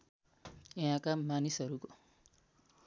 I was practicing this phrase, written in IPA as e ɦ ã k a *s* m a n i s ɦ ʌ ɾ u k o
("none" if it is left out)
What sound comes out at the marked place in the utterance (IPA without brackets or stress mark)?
none